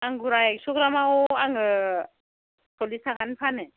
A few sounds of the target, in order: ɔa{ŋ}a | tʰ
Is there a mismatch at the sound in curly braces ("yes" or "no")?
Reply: no